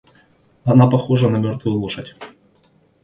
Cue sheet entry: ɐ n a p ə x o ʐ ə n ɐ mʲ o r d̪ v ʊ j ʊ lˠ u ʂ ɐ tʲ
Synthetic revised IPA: ɐ n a p ɐ x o ʐ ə n ɐ mʲ o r t̪ v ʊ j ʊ lˠ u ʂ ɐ tʲ